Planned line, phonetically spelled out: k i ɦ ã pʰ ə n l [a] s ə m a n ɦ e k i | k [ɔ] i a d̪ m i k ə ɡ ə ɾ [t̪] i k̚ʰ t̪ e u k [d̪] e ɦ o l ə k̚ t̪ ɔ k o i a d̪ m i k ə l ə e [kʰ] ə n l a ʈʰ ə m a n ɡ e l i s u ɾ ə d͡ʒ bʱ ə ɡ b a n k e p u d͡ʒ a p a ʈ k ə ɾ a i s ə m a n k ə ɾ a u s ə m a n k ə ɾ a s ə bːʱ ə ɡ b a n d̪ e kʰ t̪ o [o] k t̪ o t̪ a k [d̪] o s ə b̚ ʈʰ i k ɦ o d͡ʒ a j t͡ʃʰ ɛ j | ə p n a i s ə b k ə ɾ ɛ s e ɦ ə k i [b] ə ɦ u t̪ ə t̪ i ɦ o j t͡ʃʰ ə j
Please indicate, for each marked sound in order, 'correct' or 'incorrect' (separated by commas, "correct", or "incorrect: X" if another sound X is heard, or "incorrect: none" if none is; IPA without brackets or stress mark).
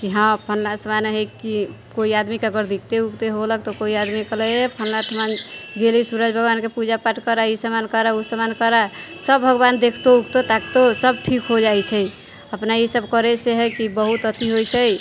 correct, incorrect: o, incorrect: d̪, incorrect: t̪, incorrect: pʰ, incorrect: u, incorrect: t̪, correct